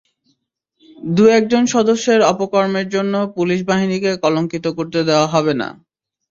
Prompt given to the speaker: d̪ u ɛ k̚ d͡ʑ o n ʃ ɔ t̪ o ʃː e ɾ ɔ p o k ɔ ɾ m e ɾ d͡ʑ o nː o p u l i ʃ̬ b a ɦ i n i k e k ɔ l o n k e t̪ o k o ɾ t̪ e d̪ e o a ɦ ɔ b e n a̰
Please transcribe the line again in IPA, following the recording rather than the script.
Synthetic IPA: d̪ u ɛ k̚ d͡ʑ o n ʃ ɔ d̪ o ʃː e ɾ ɔ p o k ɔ ɾ m e ɾ d͡ʑ o nː o p u l i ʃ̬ b a ɦ i n i k e k ɔ l o ŋ k i t̪ o k o ɾ t̪ e d̪ e o a ɦ ɔ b e n a̰